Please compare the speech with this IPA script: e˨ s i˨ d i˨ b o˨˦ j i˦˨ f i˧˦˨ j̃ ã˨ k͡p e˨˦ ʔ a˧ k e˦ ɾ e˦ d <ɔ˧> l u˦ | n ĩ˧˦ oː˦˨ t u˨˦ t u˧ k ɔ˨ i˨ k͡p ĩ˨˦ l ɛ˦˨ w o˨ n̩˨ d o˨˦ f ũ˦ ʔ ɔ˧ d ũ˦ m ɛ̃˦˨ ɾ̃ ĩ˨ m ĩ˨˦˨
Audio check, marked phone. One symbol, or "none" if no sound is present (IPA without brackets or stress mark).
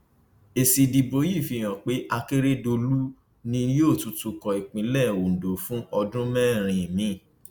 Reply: o˧